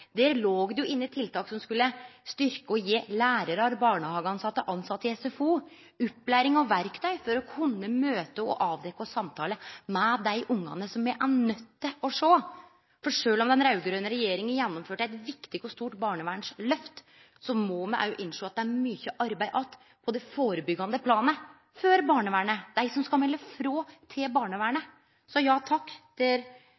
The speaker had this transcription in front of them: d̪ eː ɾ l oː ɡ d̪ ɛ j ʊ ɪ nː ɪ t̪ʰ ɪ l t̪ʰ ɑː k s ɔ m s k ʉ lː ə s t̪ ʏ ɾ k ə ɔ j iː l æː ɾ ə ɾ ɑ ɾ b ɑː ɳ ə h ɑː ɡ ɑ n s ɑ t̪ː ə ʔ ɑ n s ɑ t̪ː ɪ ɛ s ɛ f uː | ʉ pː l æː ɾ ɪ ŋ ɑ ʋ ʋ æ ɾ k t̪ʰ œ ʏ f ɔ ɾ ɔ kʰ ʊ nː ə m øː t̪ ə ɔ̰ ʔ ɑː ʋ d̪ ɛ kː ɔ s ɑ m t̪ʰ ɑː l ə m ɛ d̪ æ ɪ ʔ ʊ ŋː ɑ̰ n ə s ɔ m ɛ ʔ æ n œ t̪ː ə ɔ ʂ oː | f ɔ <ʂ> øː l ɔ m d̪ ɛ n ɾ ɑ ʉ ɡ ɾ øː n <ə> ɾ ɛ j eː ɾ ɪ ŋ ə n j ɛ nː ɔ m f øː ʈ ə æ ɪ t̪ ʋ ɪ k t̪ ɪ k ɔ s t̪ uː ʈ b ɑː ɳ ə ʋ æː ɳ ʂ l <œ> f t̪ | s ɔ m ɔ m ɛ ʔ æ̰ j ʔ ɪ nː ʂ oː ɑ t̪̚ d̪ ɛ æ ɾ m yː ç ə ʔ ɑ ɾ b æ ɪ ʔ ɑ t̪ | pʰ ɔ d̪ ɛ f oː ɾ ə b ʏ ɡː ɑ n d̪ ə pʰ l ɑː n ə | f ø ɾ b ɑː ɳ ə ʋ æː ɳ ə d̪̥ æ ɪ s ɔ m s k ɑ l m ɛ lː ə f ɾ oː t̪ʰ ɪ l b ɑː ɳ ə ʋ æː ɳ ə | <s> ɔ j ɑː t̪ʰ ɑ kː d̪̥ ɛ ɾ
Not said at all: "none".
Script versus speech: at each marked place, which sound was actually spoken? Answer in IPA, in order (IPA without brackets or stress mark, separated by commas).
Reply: ʂ, ə, œ, s